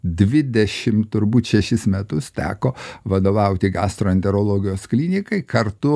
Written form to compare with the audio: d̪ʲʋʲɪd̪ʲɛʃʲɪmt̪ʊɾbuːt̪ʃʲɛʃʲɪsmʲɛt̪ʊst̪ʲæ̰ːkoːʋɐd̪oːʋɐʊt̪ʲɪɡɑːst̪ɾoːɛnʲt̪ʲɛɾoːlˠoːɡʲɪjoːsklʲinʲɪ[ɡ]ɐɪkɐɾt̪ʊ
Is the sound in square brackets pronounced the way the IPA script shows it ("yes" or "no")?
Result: no